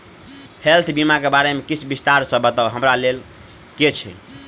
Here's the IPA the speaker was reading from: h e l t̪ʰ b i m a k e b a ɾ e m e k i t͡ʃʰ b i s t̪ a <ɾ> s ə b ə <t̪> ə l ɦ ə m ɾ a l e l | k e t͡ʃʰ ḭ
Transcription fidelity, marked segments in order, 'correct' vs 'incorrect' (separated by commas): correct, correct